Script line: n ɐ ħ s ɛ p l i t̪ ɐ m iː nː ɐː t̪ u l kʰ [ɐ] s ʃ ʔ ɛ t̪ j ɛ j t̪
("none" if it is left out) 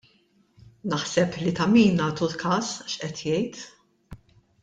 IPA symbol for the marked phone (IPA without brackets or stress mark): ɐː